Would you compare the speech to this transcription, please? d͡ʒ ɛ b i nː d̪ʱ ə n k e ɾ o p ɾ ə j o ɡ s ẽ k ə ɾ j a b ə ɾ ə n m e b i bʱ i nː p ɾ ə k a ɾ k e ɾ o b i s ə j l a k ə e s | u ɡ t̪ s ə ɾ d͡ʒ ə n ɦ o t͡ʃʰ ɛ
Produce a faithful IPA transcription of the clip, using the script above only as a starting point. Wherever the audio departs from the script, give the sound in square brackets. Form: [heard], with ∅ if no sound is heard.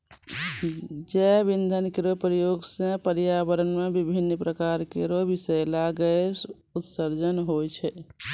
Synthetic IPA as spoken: d͡ʒ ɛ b i [n] d̪ʱ ə n k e ɾ o p ɾ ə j o ɡ s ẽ [p] ə ɾ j a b ə ɾ ə n m e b i bʱ i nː p ɾ ə k a ɾ k e ɾ o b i s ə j l a [ɡ] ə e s | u [∅] t̪ s ə ɾ d͡ʒ ə n ɦ o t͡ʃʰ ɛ